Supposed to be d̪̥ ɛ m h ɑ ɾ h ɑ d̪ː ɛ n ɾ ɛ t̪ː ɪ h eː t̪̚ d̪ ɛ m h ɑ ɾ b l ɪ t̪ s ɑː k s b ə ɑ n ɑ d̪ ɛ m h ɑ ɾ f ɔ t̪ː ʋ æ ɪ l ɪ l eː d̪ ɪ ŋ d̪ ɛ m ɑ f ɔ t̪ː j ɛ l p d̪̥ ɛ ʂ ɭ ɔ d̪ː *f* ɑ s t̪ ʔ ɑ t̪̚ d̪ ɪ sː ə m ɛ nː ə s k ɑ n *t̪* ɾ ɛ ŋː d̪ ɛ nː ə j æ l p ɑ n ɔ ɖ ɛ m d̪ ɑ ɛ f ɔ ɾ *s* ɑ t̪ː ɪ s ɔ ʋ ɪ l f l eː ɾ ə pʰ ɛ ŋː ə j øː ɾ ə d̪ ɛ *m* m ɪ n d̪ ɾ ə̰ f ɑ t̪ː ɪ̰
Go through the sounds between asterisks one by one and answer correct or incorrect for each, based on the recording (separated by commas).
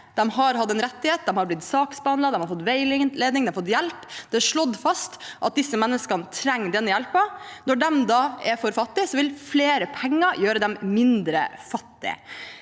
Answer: correct, incorrect, incorrect, correct